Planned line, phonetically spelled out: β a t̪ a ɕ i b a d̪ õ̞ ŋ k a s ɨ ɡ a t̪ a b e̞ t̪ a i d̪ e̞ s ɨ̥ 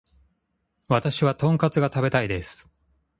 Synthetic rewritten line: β a t̪ a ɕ i β a t̪ õ̞ ŋ k a t͡s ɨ ɡ a t̪ a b e̞ t̪ a i d̪ e̞ s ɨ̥